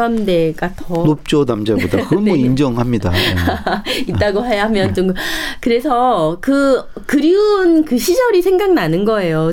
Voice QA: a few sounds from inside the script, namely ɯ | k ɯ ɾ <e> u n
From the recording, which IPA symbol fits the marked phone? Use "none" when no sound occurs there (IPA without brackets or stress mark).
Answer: i